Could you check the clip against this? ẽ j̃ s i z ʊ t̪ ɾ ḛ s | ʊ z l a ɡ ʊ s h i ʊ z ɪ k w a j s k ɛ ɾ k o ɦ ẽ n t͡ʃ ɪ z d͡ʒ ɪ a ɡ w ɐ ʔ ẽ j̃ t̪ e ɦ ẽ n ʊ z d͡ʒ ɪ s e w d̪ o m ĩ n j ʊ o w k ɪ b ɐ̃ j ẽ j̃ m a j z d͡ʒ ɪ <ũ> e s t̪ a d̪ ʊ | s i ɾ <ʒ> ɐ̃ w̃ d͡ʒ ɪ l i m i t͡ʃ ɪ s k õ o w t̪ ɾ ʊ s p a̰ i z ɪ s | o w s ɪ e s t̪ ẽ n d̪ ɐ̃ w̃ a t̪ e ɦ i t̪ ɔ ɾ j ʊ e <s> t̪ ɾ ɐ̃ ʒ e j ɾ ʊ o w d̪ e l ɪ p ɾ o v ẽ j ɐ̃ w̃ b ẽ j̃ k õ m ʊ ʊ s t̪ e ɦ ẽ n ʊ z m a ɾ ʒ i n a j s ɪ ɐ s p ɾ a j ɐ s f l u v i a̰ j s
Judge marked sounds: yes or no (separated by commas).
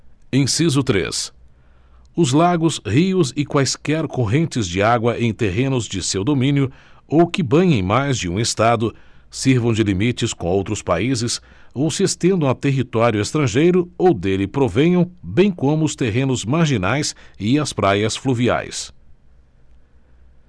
yes, no, yes